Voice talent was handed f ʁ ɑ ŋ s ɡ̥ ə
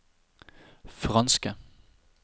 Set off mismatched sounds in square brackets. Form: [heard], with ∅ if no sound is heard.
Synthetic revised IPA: f ʁ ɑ [n] s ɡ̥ ə